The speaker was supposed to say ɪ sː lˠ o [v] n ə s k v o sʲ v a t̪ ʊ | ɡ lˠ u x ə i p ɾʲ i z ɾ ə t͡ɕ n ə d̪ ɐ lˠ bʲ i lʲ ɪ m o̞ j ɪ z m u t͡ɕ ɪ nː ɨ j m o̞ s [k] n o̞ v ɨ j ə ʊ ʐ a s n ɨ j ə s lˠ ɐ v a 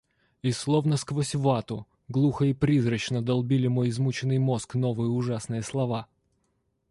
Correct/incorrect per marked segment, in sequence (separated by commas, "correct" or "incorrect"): correct, correct